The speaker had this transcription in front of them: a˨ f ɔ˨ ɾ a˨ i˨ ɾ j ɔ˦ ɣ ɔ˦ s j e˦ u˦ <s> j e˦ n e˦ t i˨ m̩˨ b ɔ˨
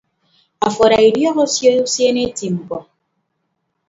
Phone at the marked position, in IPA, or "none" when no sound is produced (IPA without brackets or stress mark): s